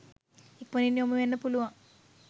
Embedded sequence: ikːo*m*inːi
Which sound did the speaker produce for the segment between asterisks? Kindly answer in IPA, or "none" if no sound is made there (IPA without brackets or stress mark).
n